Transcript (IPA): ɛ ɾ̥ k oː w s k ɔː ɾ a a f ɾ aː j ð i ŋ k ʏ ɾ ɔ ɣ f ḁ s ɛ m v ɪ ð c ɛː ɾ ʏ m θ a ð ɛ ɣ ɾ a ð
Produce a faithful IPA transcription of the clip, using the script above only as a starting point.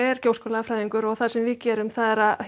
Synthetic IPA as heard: ɛ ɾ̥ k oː w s k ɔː l a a f ɾ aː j ð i ŋ k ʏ ɾ ɔ ɣ θ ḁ s ɛ m v ɪ ð c ɛː ɾ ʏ m θ a ð ɛ ɾ a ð